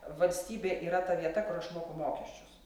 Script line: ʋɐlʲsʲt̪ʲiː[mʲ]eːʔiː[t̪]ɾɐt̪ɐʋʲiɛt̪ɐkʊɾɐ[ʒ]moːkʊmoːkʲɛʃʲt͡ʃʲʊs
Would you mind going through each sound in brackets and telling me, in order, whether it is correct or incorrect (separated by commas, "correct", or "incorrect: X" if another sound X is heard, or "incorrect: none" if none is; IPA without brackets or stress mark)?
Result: incorrect: bʲ, incorrect: none, incorrect: ʃ